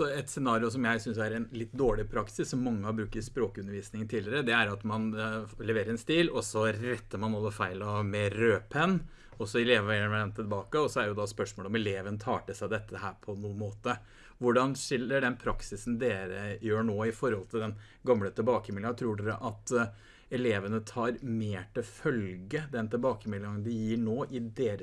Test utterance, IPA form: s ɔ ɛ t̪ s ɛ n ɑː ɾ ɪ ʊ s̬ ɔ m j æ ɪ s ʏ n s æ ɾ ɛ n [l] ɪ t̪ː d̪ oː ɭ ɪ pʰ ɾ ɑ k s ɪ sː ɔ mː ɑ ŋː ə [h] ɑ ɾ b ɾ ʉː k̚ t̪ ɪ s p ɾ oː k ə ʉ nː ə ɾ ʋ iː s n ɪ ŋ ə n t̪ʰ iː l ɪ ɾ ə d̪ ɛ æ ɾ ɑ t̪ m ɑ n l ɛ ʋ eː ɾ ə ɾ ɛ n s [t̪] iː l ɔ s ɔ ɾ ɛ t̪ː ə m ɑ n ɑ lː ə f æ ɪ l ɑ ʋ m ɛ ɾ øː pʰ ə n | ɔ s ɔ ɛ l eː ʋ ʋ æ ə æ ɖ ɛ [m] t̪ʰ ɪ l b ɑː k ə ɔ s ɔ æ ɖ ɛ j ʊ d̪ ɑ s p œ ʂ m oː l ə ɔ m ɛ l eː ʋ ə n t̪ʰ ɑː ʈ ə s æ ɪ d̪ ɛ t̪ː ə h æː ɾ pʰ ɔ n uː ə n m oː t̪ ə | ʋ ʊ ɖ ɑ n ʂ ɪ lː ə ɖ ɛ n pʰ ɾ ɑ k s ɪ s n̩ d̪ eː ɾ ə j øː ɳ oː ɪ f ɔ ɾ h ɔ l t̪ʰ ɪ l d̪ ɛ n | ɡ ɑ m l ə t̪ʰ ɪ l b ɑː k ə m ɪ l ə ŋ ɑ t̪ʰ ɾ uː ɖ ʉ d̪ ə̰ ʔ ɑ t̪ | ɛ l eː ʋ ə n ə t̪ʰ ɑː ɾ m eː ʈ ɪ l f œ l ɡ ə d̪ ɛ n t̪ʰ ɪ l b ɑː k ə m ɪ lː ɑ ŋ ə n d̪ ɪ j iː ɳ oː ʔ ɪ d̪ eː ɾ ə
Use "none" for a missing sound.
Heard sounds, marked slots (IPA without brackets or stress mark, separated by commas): l, h, t̪, n